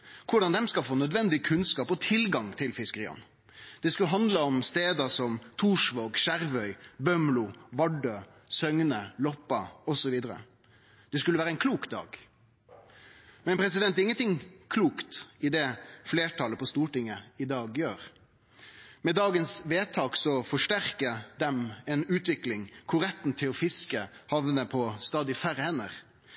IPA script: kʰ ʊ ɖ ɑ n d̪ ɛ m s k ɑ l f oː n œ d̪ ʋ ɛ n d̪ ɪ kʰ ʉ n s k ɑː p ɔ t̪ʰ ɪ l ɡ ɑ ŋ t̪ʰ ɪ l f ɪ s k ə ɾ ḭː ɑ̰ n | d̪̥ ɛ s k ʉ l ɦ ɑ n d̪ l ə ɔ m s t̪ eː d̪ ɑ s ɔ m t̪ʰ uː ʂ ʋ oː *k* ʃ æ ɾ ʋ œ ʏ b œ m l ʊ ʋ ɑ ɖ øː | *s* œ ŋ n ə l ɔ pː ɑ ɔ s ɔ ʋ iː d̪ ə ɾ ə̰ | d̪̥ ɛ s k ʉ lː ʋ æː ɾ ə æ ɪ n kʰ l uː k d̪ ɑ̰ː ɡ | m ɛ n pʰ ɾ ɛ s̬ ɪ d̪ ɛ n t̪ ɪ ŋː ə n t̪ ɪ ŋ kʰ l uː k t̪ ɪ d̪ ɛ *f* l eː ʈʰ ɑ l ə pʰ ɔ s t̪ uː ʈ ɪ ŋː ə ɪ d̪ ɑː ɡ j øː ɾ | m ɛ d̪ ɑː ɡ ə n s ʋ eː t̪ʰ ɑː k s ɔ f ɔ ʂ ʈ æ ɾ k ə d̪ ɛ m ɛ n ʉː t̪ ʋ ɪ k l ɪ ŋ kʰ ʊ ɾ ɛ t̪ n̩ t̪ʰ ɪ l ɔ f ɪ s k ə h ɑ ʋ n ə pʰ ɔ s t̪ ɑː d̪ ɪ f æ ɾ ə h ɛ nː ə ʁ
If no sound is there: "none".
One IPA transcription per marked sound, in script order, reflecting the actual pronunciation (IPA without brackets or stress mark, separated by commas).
ɡ, s, f